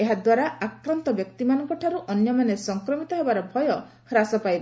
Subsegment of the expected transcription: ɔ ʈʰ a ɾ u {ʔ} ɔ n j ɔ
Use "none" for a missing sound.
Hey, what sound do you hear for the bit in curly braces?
ʔ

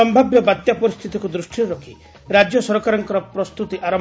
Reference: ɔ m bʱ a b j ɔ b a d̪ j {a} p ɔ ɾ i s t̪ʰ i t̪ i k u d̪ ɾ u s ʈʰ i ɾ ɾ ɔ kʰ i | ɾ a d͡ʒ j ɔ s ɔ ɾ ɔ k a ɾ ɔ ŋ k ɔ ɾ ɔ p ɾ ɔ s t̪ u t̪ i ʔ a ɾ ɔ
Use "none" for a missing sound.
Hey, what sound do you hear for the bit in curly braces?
a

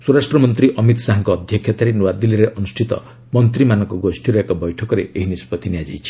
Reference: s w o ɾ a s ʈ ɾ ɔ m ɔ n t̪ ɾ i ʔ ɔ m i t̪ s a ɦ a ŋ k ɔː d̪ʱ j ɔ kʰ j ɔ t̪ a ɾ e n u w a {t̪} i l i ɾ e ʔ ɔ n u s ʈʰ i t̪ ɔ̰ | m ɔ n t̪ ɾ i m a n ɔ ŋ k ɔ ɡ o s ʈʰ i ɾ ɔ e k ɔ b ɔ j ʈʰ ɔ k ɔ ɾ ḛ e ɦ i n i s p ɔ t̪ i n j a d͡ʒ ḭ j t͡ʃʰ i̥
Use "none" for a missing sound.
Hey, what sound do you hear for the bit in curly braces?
d̪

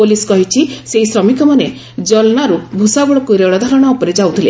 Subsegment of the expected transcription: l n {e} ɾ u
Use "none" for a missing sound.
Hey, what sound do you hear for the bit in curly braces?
a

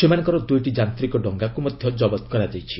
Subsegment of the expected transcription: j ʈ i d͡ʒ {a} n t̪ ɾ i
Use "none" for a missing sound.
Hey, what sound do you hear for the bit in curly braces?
a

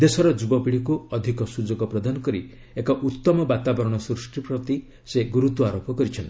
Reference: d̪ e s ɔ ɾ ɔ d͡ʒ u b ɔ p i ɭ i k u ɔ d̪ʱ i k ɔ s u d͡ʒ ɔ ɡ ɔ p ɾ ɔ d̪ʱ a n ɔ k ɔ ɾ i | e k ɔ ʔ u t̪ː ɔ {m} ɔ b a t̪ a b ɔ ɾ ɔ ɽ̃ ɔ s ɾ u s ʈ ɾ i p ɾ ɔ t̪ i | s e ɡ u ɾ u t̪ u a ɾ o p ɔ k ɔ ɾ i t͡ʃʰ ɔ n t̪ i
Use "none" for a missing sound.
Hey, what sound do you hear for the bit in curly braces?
m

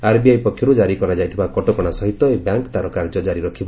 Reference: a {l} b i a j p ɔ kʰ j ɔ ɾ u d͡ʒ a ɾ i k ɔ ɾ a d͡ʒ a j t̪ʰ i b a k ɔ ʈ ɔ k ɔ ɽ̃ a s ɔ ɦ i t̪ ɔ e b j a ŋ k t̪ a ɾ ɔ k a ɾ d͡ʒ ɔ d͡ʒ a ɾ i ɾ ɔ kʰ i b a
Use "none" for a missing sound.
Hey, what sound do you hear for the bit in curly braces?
ɾ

